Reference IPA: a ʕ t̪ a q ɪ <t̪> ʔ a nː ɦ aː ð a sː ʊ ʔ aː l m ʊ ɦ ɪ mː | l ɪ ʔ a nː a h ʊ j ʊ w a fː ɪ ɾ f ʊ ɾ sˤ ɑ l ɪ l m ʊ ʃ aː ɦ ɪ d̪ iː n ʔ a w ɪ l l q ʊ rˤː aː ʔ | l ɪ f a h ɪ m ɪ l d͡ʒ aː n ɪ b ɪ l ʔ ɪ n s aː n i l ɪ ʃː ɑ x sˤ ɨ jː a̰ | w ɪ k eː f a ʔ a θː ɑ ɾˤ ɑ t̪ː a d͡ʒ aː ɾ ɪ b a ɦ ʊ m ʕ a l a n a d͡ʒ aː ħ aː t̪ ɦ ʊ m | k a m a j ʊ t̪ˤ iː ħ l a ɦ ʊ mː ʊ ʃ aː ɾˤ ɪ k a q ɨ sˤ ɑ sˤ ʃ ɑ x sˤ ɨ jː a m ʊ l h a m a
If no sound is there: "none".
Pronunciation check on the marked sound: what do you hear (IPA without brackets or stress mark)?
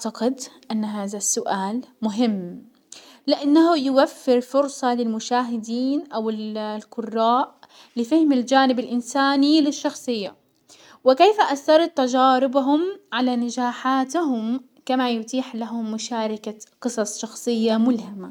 d̪